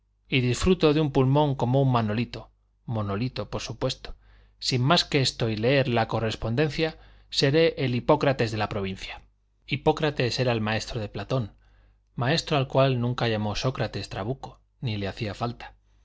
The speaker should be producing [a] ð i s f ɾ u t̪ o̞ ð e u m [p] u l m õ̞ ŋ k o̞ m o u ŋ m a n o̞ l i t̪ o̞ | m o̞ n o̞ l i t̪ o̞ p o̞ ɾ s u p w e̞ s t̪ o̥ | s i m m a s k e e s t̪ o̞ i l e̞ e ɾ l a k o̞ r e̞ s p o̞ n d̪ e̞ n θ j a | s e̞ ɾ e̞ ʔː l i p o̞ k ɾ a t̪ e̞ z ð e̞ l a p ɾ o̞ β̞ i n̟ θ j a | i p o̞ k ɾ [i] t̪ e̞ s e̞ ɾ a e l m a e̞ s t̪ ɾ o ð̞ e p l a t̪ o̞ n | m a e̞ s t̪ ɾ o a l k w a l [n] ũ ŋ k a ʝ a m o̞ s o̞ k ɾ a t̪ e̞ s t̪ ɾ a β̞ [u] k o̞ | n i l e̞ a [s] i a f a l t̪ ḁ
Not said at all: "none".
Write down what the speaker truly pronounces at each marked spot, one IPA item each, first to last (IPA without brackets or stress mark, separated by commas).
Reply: i, p, a, n, u, θ